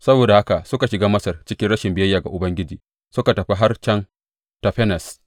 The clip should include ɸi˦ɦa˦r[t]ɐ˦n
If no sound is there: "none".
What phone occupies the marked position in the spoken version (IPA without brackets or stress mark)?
t͡ʃ